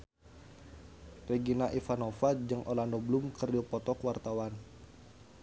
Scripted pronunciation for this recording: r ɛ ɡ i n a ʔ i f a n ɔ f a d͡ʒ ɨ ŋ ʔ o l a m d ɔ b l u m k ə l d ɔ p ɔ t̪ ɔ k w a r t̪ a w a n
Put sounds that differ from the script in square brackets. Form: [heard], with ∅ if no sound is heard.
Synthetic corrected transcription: r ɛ ɡ i n a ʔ i f a n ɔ f a d͡ʒ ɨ ŋ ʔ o l a [n] d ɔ b l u m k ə [r] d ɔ p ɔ t̪ ɔ k w a r t̪ a w a n